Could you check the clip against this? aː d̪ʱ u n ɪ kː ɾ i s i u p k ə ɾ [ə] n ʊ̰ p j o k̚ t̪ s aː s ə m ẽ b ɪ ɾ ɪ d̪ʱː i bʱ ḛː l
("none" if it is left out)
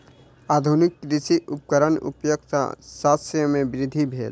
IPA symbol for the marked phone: ə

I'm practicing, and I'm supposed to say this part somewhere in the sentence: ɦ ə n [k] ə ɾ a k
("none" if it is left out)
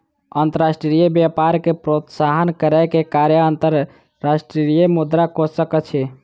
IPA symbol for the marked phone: k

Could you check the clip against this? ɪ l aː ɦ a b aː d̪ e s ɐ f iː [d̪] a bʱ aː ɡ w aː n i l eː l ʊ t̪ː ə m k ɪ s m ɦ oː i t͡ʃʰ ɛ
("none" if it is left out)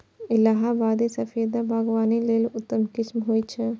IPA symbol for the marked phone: d̪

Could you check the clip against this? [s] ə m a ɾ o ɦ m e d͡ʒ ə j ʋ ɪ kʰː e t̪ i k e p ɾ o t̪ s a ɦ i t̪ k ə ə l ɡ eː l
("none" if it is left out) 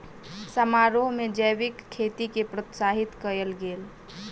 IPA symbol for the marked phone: s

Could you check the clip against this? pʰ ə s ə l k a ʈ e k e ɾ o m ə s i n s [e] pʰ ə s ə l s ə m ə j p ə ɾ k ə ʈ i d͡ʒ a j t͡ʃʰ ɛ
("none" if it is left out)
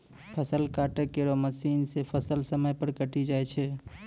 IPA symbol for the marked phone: e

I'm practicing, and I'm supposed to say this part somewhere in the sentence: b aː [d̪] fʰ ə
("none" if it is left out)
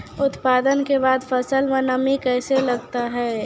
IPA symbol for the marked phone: d̪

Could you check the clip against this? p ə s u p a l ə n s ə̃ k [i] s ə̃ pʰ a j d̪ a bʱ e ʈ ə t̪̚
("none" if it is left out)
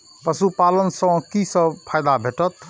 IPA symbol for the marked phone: i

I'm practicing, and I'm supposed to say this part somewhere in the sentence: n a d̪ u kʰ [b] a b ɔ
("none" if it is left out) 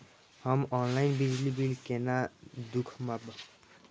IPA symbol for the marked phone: m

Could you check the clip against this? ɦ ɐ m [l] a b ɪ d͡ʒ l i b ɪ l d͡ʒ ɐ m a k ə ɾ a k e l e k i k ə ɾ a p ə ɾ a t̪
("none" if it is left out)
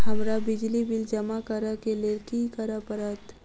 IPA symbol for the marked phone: ɾ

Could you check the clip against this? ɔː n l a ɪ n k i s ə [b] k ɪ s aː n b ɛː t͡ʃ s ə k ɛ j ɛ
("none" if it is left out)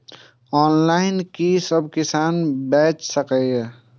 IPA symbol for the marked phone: b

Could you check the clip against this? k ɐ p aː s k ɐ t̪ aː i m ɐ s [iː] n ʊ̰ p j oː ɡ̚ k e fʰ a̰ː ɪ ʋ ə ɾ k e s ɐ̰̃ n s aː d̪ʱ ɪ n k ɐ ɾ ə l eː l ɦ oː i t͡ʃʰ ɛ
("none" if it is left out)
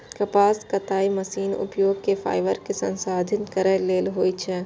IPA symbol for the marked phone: iː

